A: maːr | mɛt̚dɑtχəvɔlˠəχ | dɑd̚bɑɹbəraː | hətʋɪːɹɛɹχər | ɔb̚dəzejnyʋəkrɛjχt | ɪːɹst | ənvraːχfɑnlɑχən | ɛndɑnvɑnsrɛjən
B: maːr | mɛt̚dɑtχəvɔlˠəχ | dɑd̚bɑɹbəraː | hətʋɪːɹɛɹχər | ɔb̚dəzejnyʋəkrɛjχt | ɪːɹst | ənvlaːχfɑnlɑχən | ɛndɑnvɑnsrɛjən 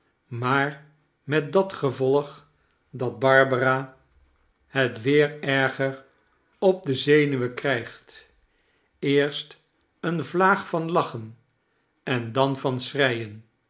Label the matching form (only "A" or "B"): B